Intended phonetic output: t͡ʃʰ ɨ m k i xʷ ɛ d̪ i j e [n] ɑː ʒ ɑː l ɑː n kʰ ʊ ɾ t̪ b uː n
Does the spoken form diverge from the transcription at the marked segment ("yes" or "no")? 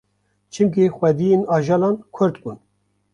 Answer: no